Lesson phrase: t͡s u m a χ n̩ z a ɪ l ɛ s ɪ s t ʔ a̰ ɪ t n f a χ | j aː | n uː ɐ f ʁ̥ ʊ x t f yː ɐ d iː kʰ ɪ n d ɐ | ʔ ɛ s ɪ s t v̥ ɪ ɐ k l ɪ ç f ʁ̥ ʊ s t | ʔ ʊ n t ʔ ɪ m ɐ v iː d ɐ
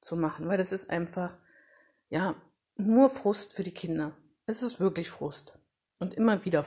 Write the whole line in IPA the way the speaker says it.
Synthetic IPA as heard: t͡s u m a χ n̩ v a ɪ l ɛ s ɪ s t ʔ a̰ ɪ n f a χ | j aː | n uː ɐ f ʁ̥ ʊ s t f yː ɐ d iː kʰ ɪ n d ɐ | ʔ ɛ s ɪ s t v̥ ɪ ɐ k l ɪ ç f ʁ̥ ʊ s t | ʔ ʊ n t ʔ ɪ m ɐ v iː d ɐ